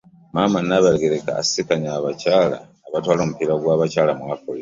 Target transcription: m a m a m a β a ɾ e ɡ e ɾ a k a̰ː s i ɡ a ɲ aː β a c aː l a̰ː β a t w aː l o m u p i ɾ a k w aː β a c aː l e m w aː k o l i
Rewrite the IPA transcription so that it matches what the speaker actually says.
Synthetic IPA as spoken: m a m a n a β a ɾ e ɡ e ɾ e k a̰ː s i k a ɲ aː β a c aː l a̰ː β a t w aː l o m u p i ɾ a ɡ w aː β a c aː l a m w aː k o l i